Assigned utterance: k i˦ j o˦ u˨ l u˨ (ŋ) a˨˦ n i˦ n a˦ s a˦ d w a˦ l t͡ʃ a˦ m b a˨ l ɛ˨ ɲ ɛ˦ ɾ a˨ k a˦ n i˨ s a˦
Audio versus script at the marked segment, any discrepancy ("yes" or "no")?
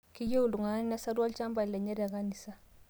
no